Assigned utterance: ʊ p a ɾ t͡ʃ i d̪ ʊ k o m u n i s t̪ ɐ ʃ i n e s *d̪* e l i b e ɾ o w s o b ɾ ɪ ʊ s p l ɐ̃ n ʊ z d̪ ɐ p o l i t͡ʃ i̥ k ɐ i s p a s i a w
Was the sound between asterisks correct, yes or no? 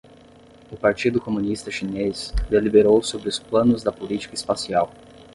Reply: yes